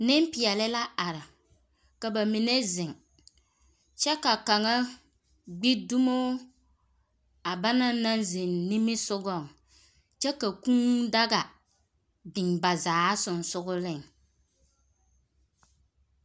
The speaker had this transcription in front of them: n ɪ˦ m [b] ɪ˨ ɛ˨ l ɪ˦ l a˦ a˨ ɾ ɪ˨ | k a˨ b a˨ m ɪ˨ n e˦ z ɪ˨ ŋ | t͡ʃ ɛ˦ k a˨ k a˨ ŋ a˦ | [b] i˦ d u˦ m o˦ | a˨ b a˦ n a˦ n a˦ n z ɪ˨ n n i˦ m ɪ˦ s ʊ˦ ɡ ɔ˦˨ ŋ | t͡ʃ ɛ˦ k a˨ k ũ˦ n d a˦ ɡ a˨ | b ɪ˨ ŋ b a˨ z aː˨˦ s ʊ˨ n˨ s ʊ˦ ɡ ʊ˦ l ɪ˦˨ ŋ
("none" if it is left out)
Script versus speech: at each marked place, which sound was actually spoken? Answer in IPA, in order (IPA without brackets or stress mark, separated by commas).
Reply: p, ɡ͡b